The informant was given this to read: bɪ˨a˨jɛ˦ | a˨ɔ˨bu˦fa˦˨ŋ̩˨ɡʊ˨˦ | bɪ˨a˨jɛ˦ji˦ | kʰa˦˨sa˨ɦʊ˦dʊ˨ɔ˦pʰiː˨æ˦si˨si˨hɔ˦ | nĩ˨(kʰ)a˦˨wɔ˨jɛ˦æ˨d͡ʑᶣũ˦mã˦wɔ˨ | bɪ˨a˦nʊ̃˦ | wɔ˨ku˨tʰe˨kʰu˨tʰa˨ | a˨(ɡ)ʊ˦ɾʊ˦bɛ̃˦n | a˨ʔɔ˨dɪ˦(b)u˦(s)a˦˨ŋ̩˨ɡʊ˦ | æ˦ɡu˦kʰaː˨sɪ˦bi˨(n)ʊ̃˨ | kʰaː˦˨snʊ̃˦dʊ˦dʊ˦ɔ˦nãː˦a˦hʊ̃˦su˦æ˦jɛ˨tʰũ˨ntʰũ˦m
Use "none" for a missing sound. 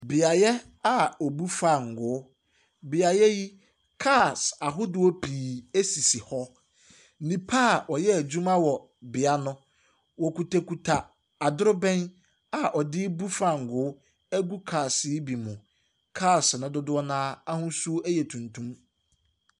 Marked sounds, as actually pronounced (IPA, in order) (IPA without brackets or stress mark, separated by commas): pʰ, d, b, f, m